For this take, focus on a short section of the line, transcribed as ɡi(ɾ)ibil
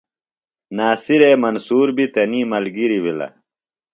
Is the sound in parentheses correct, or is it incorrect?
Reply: correct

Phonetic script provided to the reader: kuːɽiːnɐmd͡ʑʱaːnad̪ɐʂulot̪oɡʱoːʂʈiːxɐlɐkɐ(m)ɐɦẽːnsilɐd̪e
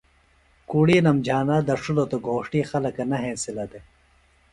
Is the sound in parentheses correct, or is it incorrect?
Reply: incorrect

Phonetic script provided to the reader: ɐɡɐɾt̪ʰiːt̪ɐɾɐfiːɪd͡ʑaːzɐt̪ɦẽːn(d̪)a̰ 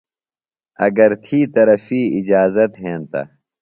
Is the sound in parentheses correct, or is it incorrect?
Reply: incorrect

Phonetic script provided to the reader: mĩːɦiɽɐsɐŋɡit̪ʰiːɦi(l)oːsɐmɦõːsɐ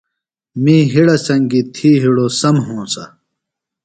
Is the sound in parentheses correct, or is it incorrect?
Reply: incorrect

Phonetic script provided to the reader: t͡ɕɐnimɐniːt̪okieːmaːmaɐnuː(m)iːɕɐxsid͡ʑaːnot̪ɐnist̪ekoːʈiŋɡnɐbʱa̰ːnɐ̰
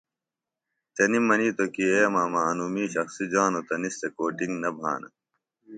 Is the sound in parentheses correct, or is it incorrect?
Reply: correct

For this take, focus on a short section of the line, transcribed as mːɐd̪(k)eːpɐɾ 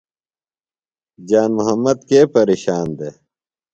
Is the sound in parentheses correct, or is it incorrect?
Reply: correct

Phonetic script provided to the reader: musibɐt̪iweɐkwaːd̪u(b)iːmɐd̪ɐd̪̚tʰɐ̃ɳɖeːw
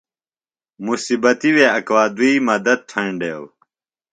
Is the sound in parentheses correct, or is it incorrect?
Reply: incorrect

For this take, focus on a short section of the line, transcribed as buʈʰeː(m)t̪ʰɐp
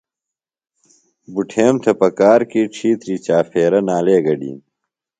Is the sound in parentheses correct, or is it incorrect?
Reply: correct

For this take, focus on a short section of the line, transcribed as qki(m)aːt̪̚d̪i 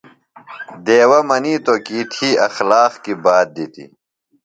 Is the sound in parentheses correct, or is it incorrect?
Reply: incorrect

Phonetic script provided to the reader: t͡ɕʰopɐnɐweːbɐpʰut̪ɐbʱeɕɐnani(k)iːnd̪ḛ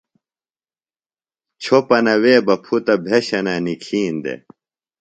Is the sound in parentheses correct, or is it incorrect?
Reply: incorrect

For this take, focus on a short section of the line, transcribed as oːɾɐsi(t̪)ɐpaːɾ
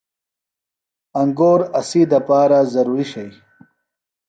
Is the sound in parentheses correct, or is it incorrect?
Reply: incorrect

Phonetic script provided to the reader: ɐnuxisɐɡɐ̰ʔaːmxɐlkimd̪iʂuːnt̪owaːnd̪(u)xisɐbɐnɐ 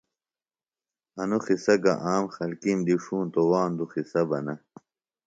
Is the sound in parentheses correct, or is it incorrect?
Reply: correct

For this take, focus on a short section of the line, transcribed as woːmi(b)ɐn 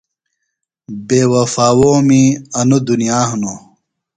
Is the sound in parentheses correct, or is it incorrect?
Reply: incorrect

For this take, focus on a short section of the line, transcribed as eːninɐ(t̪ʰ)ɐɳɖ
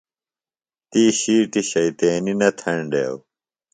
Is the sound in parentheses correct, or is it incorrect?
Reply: correct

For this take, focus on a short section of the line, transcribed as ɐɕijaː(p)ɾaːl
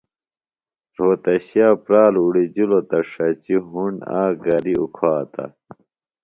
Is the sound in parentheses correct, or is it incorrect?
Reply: correct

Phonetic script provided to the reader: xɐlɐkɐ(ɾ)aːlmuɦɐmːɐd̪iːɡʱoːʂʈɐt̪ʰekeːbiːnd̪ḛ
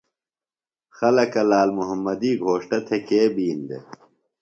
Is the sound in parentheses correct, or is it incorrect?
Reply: incorrect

